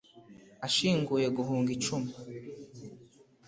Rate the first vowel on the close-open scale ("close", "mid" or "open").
open